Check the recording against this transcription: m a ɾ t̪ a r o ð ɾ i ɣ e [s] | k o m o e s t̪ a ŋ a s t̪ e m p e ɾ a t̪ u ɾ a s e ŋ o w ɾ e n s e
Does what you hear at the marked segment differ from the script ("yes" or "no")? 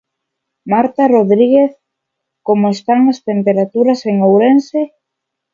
yes